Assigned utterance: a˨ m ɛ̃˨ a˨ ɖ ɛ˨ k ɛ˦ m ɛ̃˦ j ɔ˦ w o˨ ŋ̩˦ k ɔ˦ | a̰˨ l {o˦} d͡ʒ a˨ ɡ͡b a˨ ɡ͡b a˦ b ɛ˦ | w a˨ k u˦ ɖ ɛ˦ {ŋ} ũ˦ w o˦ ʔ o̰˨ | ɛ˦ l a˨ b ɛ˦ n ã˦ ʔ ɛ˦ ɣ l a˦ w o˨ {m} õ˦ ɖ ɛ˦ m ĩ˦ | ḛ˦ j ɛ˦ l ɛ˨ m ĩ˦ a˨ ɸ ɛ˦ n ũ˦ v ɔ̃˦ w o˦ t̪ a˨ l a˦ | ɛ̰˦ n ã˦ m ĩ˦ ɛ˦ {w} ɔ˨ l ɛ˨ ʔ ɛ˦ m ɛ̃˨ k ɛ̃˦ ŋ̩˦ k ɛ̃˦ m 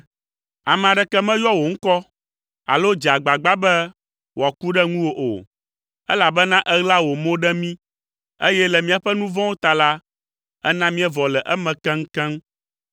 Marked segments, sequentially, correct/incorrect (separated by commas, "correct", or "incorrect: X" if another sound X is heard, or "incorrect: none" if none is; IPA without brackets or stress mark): correct, correct, correct, incorrect: v